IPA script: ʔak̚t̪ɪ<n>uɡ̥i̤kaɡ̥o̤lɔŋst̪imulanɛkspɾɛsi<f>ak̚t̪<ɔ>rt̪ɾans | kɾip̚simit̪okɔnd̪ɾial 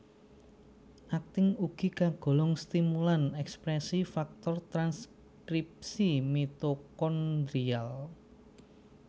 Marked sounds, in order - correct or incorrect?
incorrect: ŋ, correct, correct

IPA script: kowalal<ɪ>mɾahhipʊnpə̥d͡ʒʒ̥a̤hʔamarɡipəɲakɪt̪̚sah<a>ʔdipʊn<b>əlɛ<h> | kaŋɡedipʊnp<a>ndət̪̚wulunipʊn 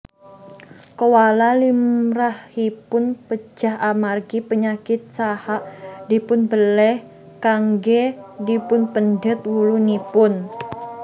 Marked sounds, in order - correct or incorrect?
incorrect: i, correct, correct, correct, incorrect: ə

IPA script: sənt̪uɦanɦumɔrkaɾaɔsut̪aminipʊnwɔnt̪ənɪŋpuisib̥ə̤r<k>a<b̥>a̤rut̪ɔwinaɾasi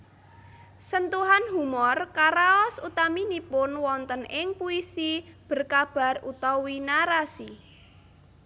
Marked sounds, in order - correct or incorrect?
correct, correct

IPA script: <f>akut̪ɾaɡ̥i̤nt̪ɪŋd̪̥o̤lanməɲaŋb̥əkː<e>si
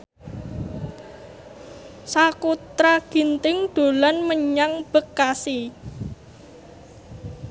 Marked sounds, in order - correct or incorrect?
incorrect: s, incorrect: a

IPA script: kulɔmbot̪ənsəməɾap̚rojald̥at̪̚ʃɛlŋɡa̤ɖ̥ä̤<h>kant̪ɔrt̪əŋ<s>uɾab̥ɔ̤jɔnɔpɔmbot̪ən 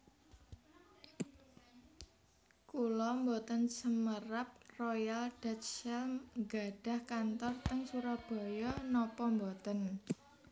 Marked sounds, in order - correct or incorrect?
correct, correct

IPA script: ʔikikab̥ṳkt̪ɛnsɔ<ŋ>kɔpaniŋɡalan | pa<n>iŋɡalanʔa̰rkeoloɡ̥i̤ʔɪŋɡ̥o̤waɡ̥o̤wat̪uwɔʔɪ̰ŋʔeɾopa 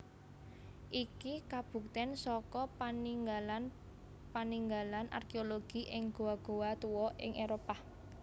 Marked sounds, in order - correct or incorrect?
incorrect: none, correct

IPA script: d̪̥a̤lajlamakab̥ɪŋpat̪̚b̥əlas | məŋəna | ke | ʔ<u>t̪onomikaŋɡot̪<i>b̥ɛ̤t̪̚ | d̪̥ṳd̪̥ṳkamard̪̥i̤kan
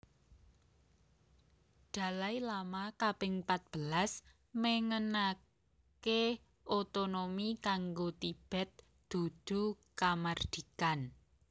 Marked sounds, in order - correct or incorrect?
incorrect: o, correct

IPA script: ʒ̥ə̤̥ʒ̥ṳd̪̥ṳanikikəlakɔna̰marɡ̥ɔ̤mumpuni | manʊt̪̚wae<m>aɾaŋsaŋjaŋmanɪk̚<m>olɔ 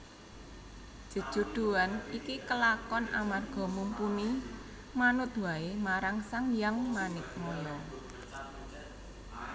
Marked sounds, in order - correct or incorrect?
correct, correct

